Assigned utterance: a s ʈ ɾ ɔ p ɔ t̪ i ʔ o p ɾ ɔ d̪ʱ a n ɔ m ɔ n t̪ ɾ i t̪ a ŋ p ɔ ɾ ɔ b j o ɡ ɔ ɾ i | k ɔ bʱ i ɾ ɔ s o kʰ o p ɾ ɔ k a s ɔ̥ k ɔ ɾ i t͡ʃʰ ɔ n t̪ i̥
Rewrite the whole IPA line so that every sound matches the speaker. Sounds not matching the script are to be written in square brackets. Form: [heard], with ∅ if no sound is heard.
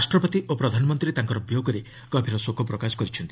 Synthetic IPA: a s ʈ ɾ ɔ p ɔ t̪ i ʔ o p ɾ ɔ d̪ʱ a n ɔ m ɔ n t̪ ɾ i t̪ a ŋ [k] ɔ ɾ ɔ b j o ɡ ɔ ɾ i | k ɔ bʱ i ɾ ɔ s o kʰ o p ɾ ɔ k a s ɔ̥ k ɔ ɾ i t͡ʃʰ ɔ n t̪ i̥